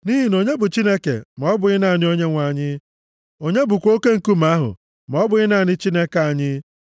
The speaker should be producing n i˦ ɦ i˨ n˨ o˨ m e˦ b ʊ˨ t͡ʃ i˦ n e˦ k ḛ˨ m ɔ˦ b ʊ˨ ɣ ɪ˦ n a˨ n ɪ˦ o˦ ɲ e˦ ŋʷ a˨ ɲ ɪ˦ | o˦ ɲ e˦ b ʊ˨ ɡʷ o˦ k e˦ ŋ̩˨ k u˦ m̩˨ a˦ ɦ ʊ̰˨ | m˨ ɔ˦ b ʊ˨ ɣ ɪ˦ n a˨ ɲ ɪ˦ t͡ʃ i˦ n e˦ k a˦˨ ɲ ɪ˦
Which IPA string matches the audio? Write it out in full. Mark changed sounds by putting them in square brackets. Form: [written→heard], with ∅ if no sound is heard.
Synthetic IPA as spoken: n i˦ ɦ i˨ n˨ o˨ [m→ɲ] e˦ b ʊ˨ t͡ʃ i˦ n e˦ k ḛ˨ m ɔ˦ b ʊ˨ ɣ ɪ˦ n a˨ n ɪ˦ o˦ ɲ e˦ ŋʷ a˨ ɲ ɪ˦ | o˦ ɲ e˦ b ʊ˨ [ɡʷ→kʷ] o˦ k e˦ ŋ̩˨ k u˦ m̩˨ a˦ ɦ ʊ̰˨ | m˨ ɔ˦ b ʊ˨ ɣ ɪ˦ n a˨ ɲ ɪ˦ t͡ʃ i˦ n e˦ k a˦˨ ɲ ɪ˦